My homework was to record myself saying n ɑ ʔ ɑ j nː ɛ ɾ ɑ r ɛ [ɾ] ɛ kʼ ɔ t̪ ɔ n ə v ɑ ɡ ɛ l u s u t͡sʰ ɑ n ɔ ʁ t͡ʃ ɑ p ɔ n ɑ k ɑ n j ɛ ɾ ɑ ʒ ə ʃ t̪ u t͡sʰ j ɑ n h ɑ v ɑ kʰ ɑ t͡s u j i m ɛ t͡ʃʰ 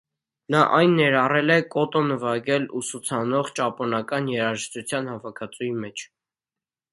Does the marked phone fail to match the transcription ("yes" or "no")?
yes